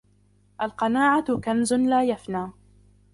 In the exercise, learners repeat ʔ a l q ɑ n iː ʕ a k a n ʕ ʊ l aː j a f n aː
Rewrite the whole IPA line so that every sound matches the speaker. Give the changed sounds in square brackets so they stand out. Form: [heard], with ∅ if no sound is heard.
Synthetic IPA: ʔ a l q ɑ n [aː] ʕ a k a n [z] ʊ l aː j a f n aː